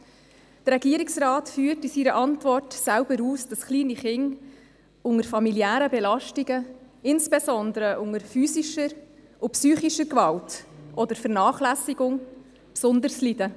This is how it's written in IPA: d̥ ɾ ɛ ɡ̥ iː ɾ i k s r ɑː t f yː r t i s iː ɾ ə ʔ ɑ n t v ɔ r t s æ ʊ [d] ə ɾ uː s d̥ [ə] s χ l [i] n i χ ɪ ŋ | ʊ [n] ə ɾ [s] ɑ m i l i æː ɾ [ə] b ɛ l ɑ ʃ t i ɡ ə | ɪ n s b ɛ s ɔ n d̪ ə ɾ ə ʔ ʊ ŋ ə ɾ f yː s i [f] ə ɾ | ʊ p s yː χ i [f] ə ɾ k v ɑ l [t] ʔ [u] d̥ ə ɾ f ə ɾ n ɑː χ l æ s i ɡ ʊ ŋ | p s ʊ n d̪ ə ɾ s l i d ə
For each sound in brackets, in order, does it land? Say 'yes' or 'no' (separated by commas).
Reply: no, no, no, no, no, yes, no, no, yes, no